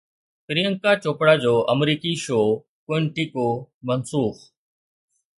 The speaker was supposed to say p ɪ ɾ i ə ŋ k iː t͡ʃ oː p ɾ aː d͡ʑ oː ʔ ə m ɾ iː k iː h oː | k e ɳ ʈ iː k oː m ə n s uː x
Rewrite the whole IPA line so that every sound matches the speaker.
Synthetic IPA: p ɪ ɾ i ə ŋ k aː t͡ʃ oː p ɽ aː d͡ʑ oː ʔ ə m ɾ iː k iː ʃ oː | k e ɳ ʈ iː k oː m ə n s uː x